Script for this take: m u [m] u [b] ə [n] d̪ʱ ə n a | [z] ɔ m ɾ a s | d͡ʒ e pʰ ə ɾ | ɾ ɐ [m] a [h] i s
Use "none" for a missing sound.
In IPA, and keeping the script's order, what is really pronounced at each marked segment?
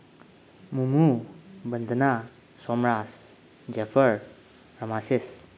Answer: m, b, n, s, m, s

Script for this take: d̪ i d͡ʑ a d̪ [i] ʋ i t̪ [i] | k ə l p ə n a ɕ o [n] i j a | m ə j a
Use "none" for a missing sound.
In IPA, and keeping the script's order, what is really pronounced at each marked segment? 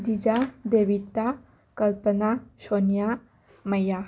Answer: e, a, n

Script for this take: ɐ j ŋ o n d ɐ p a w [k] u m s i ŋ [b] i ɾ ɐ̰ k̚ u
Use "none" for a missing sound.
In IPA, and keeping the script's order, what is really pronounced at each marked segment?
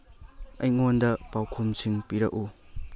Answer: kʰ, p

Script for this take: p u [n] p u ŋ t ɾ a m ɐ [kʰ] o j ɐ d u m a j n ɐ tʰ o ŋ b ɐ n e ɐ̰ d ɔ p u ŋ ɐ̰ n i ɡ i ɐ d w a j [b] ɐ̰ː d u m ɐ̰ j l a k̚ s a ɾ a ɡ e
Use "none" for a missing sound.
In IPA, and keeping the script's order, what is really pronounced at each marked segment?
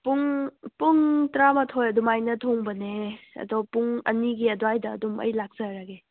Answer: ŋ, tʰ, d

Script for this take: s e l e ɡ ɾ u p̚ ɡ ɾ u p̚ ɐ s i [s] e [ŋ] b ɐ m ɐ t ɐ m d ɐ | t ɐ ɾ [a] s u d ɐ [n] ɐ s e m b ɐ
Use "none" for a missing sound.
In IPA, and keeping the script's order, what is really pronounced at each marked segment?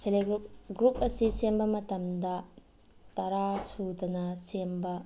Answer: s, m, a, n

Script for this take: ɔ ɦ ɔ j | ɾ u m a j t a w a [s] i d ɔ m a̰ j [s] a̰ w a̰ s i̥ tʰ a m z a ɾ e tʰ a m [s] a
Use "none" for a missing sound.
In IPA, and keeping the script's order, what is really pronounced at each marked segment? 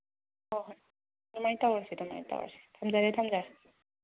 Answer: s, t, z

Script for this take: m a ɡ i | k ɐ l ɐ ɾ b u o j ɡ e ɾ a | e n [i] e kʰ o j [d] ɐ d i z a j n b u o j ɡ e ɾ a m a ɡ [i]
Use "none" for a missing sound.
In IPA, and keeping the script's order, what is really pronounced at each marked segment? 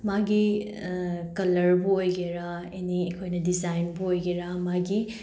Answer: i, n, i

